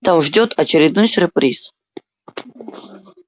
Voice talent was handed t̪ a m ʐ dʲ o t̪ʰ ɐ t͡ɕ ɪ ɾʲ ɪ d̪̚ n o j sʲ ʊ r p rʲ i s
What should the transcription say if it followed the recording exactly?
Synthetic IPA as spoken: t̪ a m ʐ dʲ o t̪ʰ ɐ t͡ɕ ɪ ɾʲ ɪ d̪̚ n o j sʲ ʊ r p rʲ i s